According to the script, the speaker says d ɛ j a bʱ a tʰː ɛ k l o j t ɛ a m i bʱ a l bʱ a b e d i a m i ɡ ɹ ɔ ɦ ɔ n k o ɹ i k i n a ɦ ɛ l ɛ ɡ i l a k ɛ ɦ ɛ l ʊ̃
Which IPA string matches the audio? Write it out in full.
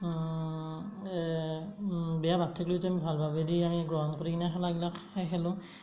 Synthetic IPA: b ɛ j a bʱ a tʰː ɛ k l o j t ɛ a m i bʱ a l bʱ a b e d i a m i ɡ ɹ ɔ ɦ ɔ n k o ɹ i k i n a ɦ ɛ l a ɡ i l a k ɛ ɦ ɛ l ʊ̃